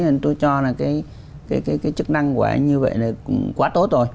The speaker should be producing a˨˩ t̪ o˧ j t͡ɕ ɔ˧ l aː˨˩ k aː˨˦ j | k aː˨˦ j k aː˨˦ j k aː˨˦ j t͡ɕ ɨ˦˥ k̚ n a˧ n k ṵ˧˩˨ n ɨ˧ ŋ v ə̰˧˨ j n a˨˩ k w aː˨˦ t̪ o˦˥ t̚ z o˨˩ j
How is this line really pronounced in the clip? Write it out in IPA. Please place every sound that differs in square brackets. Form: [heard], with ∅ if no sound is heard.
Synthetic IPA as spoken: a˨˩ t̪ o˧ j t͡ɕ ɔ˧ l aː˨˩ k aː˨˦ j | k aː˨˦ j k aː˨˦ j k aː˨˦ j t͡ɕ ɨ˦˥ k̚ n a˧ [ŋ] k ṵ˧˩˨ [ɲ] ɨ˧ [∅] v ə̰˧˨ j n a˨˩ k w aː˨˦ t̪ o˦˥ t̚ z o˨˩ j